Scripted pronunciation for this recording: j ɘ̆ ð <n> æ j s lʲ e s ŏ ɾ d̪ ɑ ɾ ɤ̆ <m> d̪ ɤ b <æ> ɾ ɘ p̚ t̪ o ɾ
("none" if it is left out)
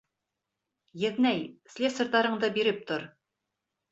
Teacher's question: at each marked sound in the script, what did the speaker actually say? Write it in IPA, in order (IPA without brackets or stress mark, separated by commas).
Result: n, ɴ, i